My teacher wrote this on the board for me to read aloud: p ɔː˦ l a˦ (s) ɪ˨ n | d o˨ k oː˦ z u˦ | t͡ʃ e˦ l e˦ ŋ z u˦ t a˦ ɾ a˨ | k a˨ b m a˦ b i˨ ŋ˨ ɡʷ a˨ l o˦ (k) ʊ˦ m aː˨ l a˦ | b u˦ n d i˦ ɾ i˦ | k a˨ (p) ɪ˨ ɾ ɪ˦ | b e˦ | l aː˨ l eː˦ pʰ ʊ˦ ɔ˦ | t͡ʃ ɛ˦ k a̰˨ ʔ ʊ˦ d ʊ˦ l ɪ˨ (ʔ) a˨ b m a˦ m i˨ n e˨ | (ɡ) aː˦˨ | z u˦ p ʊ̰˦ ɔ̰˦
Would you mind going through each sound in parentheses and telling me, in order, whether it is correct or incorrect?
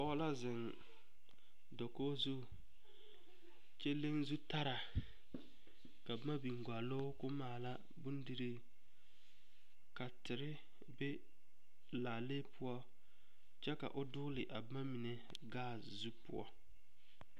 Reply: incorrect: z, correct, incorrect: t, correct, correct

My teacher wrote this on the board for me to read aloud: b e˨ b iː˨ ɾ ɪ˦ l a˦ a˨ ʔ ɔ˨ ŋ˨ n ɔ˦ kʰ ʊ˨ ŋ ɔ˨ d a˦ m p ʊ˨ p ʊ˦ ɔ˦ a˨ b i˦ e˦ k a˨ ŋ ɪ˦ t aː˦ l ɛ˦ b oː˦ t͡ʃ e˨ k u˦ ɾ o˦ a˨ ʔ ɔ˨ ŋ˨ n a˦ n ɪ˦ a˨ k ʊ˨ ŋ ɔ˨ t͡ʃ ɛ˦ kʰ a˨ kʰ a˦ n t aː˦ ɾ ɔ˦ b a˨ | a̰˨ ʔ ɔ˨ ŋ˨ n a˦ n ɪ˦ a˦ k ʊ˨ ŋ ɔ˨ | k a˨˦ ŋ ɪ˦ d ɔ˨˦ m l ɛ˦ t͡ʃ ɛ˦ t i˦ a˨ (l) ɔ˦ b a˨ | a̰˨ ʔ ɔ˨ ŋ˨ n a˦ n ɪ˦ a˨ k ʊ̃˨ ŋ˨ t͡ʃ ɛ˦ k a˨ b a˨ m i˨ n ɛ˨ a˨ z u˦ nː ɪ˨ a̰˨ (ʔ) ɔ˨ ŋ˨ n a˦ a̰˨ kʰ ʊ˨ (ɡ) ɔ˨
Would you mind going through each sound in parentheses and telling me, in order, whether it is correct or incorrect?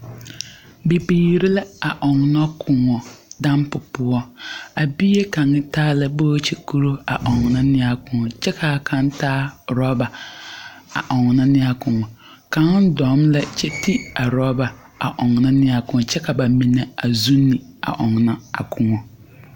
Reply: incorrect: ɾ, correct, incorrect: ŋ

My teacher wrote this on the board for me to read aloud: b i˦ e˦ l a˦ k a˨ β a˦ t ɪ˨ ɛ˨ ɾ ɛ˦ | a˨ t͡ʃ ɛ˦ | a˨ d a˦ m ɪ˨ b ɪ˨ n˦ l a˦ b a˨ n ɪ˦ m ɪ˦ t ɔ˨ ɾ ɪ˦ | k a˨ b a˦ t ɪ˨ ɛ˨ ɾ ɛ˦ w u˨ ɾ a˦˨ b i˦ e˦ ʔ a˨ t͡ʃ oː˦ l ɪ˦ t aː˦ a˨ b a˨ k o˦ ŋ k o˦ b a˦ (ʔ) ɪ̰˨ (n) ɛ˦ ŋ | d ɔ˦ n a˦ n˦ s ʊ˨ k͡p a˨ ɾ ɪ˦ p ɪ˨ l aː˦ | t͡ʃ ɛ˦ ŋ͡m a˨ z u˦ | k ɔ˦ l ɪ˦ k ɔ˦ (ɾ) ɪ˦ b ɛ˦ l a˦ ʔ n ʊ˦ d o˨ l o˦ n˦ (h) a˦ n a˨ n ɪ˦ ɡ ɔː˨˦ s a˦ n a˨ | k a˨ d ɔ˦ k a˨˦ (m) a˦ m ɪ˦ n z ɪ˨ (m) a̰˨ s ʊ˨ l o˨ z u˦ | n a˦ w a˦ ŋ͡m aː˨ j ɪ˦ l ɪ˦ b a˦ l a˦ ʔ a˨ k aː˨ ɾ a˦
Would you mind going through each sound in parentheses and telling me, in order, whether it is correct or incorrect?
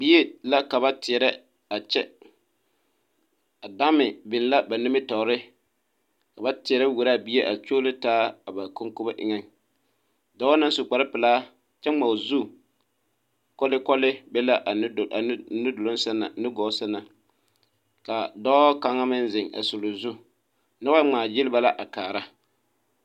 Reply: correct, incorrect: ŋ, incorrect: l, incorrect: s, incorrect: ŋ, incorrect: ŋ

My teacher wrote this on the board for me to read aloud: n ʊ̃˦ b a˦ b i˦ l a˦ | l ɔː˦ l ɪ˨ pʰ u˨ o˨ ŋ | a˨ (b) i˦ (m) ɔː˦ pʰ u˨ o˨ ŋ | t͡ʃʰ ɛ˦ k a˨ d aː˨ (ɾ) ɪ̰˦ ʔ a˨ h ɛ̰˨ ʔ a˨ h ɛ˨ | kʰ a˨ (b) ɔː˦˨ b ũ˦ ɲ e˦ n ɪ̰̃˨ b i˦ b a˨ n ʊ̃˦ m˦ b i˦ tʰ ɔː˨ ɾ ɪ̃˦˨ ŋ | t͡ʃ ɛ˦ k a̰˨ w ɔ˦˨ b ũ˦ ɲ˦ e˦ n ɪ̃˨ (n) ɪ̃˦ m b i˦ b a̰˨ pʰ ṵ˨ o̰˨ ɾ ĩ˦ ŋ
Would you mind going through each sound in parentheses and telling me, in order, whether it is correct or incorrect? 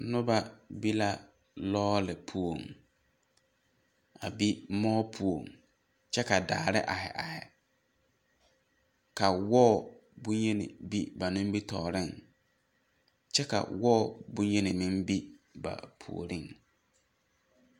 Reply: correct, correct, correct, incorrect: w, incorrect: m

